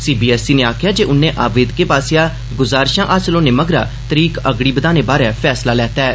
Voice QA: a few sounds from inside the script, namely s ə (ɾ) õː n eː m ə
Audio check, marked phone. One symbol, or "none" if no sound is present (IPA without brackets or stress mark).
l